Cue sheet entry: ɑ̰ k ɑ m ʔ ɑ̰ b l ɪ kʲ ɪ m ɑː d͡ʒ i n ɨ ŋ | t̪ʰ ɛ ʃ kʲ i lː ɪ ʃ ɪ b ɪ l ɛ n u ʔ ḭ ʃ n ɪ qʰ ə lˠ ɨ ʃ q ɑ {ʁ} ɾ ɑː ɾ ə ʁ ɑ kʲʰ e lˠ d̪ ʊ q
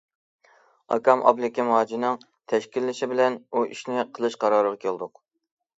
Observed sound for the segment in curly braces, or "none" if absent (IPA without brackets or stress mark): none